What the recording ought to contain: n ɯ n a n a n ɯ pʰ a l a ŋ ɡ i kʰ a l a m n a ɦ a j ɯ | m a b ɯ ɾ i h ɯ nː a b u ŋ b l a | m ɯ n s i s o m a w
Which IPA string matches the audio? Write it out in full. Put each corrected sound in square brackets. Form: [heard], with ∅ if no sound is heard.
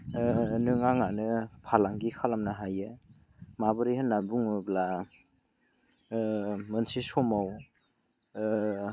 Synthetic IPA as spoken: n ɯ [ŋ] a [ŋ] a n ɯ pʰ a l a ŋ ɡ i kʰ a l a m n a ɦ a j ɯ | m a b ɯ ɾ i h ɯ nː a b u ŋ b l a | m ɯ n s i s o m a w